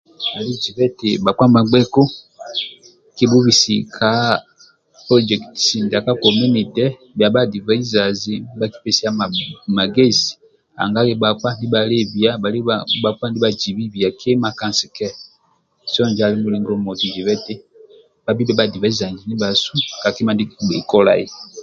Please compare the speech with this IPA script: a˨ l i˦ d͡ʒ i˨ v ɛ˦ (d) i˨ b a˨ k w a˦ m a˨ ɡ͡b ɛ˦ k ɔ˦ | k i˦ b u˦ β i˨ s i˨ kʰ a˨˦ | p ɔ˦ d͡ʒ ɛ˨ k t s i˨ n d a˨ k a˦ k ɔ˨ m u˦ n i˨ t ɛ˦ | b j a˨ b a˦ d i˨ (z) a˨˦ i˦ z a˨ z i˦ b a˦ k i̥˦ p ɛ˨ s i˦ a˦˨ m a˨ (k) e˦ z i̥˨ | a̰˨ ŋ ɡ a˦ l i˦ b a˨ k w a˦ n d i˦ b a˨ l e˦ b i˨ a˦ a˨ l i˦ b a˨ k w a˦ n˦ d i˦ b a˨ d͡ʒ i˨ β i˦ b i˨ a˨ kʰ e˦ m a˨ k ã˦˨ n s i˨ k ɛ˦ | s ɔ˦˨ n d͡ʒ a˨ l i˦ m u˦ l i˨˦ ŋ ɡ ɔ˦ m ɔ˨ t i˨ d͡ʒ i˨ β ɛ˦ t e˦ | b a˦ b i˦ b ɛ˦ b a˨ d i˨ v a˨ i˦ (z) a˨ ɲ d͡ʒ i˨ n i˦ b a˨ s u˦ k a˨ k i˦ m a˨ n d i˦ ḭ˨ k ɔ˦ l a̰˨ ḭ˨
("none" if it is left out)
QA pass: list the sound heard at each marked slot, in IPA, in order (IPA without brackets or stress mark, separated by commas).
t, v, ɡ, z